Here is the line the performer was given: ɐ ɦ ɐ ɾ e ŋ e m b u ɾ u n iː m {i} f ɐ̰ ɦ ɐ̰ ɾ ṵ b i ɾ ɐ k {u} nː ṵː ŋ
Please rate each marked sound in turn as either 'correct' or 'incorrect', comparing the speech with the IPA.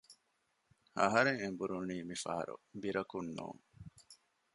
correct, correct

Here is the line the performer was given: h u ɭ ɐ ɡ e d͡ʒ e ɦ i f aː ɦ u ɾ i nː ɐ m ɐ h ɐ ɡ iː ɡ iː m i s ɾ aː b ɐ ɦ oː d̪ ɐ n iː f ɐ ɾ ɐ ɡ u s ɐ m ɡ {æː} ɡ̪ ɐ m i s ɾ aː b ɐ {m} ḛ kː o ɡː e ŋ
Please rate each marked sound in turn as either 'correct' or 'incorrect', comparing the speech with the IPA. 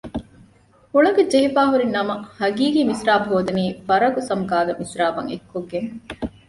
incorrect: aː, incorrect: ŋ

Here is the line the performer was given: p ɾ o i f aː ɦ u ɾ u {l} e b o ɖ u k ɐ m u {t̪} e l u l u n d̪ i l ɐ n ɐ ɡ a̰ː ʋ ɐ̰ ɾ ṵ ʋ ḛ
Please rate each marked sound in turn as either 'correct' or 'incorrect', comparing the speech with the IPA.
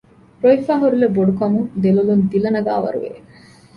correct, incorrect: d̪

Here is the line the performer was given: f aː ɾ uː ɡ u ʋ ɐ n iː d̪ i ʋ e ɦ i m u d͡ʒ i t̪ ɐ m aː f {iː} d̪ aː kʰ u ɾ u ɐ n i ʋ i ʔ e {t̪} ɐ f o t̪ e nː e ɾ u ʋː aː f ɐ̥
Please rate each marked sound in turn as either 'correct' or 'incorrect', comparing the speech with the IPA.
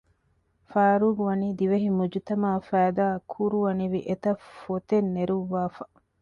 incorrect: æː, correct

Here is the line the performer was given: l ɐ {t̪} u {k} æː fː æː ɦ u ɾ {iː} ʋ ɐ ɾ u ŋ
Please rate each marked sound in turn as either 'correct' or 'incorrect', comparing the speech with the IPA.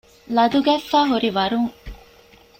incorrect: d̪, incorrect: ɡ, incorrect: i

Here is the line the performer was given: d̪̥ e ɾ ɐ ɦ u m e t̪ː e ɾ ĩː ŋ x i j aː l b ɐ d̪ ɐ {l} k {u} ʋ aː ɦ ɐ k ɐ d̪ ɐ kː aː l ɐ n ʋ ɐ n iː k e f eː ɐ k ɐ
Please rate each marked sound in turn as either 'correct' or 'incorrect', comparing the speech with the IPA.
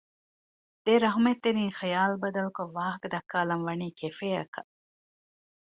correct, incorrect: o

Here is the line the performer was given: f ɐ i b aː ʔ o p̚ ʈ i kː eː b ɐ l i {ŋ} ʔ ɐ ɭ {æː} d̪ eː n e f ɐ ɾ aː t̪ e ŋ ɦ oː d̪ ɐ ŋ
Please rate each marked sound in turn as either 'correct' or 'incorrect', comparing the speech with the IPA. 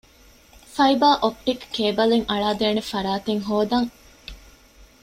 correct, incorrect: aː

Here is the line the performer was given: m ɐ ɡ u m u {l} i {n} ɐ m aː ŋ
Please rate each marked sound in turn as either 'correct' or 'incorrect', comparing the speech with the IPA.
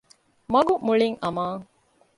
incorrect: ɭ, incorrect: ŋ

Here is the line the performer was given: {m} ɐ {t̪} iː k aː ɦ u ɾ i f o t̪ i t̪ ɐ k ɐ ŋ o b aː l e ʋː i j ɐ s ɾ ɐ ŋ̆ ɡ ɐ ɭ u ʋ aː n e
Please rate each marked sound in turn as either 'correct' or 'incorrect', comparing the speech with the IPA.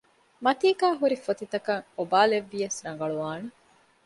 correct, correct

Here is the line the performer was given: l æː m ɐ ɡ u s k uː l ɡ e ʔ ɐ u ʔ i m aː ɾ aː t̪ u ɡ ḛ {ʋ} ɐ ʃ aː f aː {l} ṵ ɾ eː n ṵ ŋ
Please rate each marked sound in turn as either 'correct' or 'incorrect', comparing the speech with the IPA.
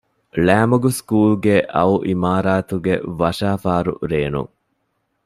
correct, incorrect: ɾ

